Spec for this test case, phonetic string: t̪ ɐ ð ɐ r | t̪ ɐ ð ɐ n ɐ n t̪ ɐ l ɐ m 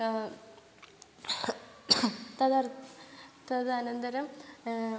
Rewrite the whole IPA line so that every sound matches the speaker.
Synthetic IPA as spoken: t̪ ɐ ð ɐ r | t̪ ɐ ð ɐ n ɐ n d̪ ɐ ɾ ɐ m